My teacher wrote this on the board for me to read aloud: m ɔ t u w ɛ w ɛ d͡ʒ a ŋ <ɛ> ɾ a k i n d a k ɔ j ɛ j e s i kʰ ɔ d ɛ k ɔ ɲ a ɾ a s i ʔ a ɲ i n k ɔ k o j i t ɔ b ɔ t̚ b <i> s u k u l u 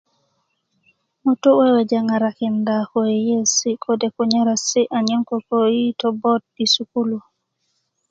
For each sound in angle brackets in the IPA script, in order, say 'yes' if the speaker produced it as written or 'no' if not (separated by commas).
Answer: no, yes